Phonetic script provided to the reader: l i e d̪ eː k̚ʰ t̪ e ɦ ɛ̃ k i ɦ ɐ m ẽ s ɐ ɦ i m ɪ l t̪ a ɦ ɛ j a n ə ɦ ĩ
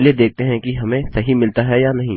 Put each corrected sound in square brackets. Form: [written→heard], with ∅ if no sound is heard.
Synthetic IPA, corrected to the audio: l i e d̪ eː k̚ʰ t̪ e ɦ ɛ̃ k i ɦ ɐ m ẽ s ɐ ɦ i m ɪ l t̪ a ɦ ɛ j a n [ə→ɐ] ɦ ĩ